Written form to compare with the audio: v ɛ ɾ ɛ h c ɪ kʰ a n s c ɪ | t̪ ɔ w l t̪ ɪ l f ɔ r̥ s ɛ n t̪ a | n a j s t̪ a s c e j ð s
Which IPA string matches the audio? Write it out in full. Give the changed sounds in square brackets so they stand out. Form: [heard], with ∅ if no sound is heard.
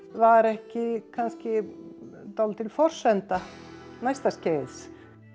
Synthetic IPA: v [a] ɾ ɛ h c ɪ kʰ a n s c ɪ | t̪ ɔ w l t̪ ɪ l f ɔ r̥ s ɛ n t̪ a | n a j s t̪ a s c e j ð s